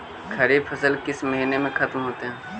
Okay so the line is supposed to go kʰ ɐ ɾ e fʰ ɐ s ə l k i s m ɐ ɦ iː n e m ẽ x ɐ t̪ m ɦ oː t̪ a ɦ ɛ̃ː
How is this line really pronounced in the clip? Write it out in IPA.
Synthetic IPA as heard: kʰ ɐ ɾ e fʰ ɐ s ə l k ɪ s m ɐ ɦ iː n e m ẽ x ɐ t̪ m ɦ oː t̪ e ɦ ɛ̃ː